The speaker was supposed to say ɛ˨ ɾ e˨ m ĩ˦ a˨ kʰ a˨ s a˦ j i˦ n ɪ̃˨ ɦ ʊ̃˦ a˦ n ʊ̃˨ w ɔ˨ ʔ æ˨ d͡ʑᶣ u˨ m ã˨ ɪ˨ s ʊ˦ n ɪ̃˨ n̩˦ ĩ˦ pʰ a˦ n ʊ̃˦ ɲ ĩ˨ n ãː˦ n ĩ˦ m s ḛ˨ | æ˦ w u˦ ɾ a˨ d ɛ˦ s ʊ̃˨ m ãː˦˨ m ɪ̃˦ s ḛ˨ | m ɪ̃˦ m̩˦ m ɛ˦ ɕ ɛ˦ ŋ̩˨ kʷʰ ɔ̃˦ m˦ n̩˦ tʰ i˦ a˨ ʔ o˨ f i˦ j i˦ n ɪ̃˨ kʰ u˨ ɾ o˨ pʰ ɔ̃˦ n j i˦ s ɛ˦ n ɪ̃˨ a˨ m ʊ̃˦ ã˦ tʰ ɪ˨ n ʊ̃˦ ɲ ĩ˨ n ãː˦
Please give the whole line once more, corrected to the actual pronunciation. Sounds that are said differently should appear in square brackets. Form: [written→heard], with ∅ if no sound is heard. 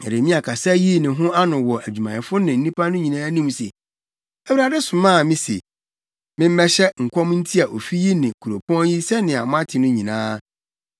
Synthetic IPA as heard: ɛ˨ ɾ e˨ m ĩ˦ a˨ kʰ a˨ s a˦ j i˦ n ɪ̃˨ ɦ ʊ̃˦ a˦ n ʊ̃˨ w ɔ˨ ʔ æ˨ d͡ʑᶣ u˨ m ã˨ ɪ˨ [s→f] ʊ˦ n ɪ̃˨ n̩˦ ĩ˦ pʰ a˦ n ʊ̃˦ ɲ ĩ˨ n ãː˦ n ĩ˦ m s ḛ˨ | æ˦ w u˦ ɾ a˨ d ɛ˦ s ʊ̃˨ m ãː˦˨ m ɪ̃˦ s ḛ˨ | m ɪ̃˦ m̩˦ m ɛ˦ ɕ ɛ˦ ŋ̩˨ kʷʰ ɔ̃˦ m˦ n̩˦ tʰ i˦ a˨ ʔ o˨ f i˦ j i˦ n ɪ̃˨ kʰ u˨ ɾ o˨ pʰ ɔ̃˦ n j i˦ s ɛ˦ n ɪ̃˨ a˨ m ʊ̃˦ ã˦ tʰ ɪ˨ n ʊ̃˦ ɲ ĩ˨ n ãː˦